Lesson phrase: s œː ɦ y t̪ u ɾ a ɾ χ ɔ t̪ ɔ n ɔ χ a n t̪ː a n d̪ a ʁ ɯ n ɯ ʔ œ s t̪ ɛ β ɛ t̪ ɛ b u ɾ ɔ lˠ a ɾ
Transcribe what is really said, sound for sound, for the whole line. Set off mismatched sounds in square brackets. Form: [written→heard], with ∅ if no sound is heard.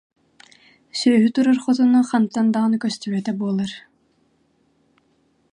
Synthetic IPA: s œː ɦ y t̪ u ɾ a ɾ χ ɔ t̪ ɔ n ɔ χ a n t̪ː a n d̪ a ʁ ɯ n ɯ [ʔ→k] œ s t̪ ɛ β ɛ t̪ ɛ b u [ɾ→∅] ɔ lˠ a ɾ